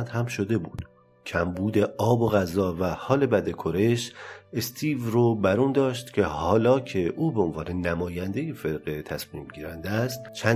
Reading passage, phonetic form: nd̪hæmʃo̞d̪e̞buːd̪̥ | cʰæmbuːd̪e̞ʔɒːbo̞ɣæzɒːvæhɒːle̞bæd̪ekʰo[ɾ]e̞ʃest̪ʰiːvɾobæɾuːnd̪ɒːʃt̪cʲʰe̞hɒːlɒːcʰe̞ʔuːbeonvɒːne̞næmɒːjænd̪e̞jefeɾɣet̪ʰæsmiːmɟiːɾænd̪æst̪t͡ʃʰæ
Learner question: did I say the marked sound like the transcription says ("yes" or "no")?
yes